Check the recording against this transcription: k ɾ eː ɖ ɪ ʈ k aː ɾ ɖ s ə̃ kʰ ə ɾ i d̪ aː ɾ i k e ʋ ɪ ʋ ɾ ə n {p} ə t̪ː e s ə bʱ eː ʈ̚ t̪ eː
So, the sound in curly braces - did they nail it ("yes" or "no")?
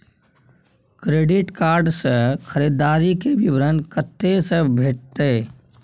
no